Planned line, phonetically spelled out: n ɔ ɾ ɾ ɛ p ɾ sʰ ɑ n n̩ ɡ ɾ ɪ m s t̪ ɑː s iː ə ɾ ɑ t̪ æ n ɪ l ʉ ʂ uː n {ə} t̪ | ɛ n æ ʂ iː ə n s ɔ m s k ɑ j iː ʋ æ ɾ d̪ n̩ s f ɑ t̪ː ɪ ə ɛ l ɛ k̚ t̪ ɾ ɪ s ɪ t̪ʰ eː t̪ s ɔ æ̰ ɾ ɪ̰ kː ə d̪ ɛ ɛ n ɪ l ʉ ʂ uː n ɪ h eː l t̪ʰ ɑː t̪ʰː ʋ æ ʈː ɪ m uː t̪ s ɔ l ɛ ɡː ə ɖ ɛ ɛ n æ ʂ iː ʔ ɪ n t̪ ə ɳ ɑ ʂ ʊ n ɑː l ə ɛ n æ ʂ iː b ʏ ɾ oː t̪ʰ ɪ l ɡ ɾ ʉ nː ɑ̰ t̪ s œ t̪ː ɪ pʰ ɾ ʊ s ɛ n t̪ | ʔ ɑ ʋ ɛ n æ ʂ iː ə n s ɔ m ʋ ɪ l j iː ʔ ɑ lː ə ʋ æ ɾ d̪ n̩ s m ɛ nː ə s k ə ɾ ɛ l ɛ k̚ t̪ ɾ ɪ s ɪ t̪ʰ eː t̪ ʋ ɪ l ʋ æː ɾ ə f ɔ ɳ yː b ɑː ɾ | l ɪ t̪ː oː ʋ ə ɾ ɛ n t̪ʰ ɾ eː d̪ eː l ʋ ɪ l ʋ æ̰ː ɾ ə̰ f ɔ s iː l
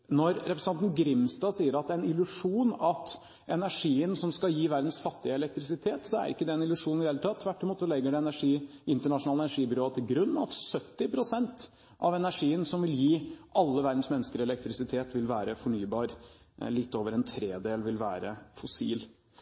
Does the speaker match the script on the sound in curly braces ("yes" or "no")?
no